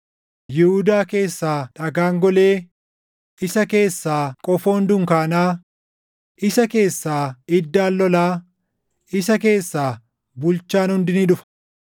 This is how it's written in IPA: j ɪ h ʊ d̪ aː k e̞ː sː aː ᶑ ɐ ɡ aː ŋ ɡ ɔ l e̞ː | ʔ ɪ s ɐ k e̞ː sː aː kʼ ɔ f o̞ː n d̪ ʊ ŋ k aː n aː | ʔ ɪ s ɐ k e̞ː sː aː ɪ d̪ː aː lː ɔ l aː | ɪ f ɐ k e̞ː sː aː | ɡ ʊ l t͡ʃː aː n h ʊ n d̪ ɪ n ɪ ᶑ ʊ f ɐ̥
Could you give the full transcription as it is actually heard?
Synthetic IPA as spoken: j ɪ h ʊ d̪ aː k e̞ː sː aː ᶑ ɐ ɡ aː ŋ ɡ ɔ l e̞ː | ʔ ɪ s ɐ k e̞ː sː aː kʼ ɔ f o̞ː n d̪ ʊ ŋ k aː n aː | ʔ ɪ s ɐ k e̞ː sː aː ɪ d̪ː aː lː ɔ l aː | ɪ s ɐ k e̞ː sː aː | b ʊ l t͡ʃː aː n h ʊ n d̪ ɪ n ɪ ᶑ ʊ f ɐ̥